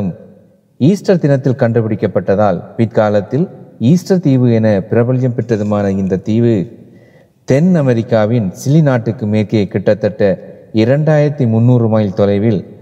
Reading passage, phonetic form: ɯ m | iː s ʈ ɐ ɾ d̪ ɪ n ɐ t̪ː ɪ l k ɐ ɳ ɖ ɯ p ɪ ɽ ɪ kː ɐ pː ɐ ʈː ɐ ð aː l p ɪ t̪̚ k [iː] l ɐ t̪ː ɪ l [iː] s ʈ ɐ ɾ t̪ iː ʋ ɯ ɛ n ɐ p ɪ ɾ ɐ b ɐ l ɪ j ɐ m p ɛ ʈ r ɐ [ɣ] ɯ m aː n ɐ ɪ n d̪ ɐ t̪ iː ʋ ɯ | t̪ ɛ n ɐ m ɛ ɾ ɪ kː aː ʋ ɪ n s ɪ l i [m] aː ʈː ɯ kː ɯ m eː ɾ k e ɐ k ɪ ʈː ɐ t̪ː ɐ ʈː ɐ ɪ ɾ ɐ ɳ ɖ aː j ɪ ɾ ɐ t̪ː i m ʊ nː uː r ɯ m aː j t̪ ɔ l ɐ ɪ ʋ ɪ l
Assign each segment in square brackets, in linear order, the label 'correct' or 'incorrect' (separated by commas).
incorrect, correct, incorrect, incorrect